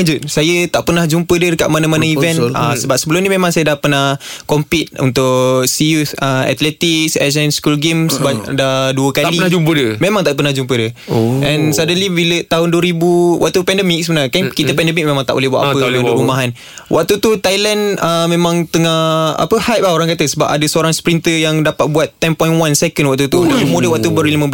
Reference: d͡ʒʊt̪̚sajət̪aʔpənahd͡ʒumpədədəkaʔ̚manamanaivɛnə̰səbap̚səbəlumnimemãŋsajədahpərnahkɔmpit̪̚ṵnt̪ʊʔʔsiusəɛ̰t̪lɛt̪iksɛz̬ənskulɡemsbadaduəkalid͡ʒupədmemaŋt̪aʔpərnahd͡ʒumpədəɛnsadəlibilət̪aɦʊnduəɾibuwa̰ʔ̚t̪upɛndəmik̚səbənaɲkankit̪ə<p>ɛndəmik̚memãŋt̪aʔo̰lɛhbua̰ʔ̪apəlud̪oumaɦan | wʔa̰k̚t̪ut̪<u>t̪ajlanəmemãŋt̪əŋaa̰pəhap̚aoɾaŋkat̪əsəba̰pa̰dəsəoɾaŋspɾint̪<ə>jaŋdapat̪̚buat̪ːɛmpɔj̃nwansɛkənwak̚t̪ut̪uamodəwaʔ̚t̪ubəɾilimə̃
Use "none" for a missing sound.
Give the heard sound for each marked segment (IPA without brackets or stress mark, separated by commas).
p, u, ə